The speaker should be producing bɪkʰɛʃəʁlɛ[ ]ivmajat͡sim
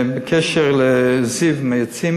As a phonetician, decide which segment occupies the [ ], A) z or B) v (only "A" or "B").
A